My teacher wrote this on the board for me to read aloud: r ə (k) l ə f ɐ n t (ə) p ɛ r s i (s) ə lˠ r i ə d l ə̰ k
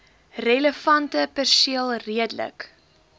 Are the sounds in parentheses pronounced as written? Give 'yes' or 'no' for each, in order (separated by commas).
no, yes, no